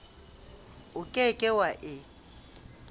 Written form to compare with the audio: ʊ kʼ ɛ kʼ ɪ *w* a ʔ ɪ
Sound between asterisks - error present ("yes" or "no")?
no